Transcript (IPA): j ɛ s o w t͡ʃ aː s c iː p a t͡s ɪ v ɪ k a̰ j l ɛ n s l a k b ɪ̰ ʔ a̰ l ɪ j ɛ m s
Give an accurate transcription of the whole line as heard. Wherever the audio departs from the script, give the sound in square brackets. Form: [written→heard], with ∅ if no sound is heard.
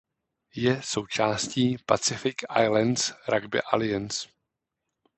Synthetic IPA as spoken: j ɛ s o w t͡ʃ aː s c iː p a t͡s ɪ [v→f] ɪ k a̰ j l ɛ n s [l→ɾ] a [k→ɡ] b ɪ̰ ʔ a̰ l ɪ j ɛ [m→n] s